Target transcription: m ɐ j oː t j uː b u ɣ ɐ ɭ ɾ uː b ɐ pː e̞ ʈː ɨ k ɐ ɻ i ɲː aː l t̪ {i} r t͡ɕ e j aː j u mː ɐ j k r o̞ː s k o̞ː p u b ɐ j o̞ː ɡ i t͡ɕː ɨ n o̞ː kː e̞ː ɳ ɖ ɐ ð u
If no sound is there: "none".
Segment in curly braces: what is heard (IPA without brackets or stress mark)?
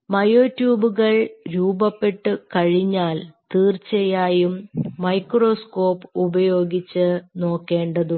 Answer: iː